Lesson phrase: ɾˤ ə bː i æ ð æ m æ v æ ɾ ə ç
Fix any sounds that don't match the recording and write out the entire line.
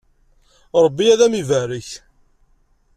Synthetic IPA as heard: ɾˤ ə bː i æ ð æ m i v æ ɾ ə ç